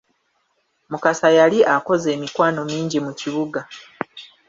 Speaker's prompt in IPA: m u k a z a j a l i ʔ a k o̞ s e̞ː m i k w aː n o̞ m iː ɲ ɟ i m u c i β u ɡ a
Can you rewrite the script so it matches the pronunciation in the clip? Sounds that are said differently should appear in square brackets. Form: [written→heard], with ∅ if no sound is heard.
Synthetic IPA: m u k a [z→s] a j a l i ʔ a k o̞ [s→z] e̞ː m i k w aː n o̞ m iː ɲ ɟ i m u c i β u ɡ a